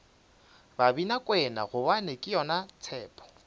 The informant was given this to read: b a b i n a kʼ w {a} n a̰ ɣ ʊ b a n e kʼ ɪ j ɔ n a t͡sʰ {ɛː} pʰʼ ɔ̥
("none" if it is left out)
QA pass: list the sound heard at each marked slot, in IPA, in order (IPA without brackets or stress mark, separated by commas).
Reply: ɛ, ɛː